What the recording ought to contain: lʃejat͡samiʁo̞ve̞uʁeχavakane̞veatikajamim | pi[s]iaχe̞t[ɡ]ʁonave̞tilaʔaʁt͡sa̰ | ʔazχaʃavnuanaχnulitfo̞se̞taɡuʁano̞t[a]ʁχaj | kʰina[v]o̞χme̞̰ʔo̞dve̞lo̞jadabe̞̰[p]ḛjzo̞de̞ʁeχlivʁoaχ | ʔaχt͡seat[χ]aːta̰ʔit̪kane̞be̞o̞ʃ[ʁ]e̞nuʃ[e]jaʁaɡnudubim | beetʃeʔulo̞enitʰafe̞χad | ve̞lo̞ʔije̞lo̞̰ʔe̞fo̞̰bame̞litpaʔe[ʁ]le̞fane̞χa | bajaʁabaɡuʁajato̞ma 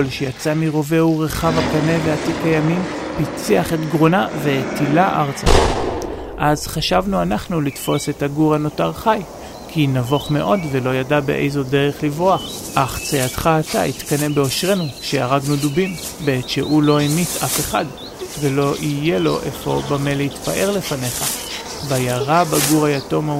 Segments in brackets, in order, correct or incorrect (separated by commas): incorrect, correct, correct, correct, incorrect, correct, correct, correct, correct